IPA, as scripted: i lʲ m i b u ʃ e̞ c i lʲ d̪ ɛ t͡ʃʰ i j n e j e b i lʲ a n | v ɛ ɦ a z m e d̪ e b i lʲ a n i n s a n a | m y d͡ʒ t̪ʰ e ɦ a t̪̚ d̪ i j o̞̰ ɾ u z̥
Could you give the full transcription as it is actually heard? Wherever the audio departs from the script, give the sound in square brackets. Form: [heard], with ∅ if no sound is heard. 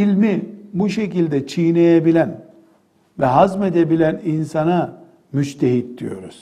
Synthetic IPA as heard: i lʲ m i b u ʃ e̞ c i lʲ d̪ ɛ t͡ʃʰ i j n e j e b i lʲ [æ] n | v ɛ ɦ a z m e d̪ e b i lʲ [æ] n i n s a n a | m y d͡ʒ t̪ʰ e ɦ [i] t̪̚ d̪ i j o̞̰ ɾ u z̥